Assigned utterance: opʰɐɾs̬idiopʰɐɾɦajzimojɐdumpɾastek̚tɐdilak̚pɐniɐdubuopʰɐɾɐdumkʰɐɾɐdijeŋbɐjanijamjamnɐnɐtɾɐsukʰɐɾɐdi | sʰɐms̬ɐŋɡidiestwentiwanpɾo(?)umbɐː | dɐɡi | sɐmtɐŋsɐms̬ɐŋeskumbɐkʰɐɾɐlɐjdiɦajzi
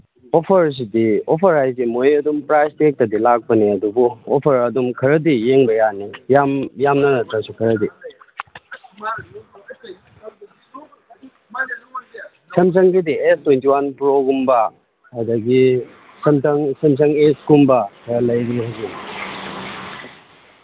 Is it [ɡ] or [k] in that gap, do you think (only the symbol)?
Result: ɡ